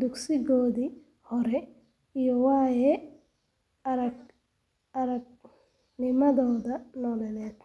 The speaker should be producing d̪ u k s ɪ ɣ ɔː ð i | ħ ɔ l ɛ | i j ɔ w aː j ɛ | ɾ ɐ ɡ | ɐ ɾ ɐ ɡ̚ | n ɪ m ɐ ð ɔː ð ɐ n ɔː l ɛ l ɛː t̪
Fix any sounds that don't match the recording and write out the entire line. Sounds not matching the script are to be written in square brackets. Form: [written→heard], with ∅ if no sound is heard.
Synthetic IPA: d̪ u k s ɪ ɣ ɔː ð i | [ħ→h] ɔ [l→ɾ] ɛ | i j ɔ w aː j ɛ | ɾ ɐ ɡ | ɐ ɾ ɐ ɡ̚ | n ɪ m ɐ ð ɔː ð ɐ n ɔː l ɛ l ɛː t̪